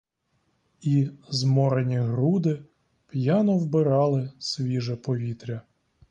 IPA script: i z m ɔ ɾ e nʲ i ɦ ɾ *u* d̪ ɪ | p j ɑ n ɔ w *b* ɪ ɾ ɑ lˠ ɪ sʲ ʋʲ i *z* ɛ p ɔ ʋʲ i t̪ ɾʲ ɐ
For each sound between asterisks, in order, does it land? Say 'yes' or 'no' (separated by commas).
yes, yes, no